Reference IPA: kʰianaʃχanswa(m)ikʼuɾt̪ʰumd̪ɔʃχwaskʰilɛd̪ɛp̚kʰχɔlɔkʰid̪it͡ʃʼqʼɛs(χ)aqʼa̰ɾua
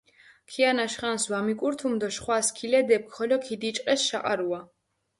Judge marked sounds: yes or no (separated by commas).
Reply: yes, no